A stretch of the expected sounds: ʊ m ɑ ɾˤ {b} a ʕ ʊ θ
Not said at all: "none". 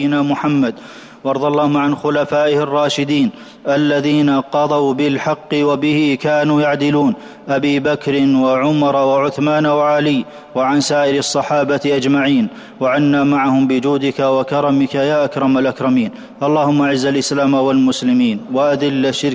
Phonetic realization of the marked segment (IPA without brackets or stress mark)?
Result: w